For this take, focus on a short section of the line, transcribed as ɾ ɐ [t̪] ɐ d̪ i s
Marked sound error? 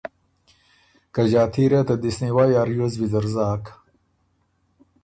no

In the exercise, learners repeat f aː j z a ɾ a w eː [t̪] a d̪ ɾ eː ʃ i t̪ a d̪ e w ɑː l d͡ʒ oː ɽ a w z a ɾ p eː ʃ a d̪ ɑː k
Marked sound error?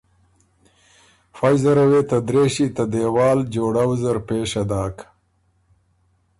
no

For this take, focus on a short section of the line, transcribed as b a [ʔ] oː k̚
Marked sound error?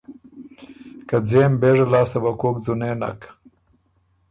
yes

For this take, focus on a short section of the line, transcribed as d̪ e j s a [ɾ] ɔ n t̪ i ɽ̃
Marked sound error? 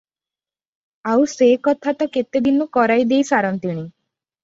no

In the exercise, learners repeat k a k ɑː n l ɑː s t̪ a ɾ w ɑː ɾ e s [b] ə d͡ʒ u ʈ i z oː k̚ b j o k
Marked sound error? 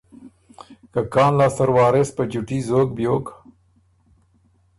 yes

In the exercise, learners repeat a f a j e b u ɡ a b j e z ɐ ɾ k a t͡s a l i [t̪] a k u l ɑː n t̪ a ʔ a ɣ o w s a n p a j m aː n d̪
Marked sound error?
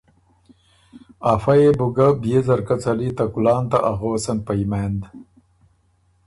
no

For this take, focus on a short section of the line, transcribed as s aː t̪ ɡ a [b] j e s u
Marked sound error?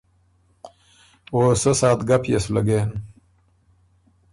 yes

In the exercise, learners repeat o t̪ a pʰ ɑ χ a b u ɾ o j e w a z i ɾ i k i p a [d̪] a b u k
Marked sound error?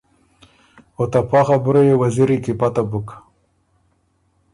yes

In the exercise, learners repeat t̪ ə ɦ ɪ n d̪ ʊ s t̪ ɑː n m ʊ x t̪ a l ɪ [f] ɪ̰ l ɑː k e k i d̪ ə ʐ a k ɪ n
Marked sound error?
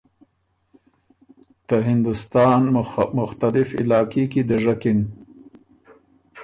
no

